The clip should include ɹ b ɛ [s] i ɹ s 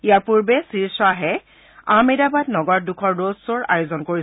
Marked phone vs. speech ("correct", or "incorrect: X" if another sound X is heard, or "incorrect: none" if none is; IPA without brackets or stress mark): correct